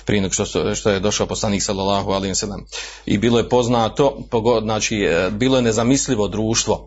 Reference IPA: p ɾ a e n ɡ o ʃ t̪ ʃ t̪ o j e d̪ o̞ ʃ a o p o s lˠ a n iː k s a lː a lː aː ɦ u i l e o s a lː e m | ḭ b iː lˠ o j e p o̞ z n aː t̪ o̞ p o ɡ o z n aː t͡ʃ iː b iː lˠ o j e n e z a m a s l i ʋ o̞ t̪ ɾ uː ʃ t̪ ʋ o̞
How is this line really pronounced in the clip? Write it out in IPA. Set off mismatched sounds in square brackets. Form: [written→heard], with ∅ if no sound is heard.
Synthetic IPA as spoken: p ɾ [a→i] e n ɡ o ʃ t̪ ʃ t̪ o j e d̪ o̞ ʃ a o p o s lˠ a n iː k s a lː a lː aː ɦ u [i→a] l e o s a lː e m | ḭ b iː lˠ o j e p o̞ z n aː t̪ o̞ p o ɡ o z n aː t͡ʃ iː b iː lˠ o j e n e z a m [a→i] s l i ʋ o̞ [t̪→d̪] ɾ uː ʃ t̪ ʋ o̞